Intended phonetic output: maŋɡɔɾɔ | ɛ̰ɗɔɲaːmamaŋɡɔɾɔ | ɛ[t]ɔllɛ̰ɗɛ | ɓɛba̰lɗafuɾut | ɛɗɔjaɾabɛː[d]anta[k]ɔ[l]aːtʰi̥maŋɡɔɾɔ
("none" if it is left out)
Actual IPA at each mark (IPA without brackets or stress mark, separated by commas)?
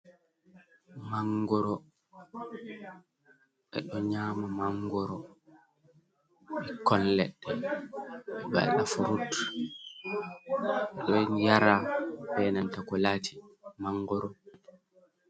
k, n, k, l